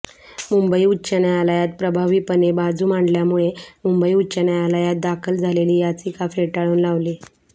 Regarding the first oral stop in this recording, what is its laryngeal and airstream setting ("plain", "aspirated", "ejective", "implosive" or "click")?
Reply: plain